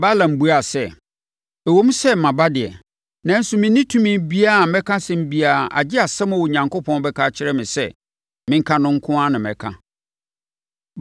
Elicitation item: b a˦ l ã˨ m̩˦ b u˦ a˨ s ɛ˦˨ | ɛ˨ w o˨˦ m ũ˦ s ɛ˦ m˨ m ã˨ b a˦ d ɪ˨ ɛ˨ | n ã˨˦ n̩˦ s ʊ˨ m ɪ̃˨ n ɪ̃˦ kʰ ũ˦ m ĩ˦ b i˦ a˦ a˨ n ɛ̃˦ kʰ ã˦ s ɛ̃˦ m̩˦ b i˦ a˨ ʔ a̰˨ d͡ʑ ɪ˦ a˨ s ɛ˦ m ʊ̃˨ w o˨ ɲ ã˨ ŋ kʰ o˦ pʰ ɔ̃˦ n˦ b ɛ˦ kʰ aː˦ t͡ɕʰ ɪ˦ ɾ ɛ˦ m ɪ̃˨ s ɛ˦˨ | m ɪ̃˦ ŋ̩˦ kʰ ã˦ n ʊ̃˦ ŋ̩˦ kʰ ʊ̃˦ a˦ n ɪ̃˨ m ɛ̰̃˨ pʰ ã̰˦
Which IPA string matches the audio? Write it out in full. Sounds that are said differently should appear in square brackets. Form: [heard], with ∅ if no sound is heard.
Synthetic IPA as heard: b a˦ l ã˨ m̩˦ b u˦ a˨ s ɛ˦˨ | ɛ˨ w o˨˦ m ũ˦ s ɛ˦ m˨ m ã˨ b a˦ d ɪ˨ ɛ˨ | n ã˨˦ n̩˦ s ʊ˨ m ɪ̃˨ n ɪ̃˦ [tʰ] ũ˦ m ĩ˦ b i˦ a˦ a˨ [m] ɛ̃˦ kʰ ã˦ s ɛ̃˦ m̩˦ b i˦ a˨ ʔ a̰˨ d͡ʑ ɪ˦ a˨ s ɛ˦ m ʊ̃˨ w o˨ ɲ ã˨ ŋ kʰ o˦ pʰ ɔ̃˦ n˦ b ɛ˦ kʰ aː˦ t͡ɕʰ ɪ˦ ɾ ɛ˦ m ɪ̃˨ s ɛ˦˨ | m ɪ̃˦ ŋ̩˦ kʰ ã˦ n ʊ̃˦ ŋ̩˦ kʰ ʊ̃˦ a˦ n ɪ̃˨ m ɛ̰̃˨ [kʰ] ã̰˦